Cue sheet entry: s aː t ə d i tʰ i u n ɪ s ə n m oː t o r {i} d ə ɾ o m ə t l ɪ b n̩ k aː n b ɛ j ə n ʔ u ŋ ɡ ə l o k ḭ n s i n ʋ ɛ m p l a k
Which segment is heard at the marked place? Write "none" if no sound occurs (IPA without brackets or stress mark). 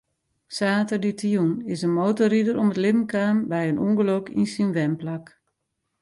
i